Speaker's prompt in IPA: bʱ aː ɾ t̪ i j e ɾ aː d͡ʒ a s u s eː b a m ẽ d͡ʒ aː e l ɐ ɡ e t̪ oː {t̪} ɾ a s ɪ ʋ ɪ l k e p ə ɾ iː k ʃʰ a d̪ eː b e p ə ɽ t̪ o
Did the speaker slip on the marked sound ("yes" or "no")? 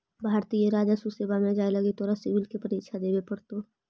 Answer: yes